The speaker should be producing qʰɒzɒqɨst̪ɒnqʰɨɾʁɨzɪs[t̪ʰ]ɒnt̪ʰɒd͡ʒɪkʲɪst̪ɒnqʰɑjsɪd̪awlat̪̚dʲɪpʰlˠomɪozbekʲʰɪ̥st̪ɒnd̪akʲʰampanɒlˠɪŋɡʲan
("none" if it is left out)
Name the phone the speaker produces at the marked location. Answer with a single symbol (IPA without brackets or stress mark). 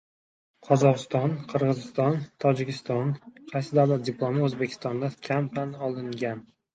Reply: t̪